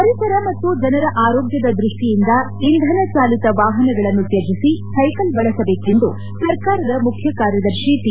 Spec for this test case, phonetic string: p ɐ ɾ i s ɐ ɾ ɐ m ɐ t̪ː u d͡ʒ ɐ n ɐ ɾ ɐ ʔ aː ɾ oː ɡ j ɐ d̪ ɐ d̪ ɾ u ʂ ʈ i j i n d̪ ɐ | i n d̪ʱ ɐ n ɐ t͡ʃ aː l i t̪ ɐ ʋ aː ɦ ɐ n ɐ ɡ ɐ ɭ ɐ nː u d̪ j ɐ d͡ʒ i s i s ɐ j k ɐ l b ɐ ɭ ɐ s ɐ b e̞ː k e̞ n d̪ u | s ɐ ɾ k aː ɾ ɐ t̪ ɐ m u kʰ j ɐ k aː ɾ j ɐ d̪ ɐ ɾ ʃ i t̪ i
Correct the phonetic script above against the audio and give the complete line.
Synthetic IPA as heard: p ɐ ɾ i s ɐ ɾ ɐ m ɐ t̪ː u d͡ʒ ɐ n ɐ ɾ ɐ ʔ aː ɾ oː ɡ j ɐ d̪ ɐ d̪ ɾ u ʂ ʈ i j i n d̪ ɐ | i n d̪ʱ ɐ n ɐ t͡ʃ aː l i t̪ ɐ ʋ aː ɦ ɐ n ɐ ɡ ɐ ɭ ɐ nː u t̪ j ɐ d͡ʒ i s i s ɐ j k ɐ l b ɐ ɭ ɐ s ɐ b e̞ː k e̞ n d̪ u | s ɐ ɾ k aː ɾ ɐ d̪ ɐ m u kʰ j ɐ k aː ɾ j ɐ d̪ ɐ ɾ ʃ i t̪ i